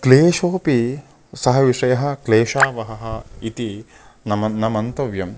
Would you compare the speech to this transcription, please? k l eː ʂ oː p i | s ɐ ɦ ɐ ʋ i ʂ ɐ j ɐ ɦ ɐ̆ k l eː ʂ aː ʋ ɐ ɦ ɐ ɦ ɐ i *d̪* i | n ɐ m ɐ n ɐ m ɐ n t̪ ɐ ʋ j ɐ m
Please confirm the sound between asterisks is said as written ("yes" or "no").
no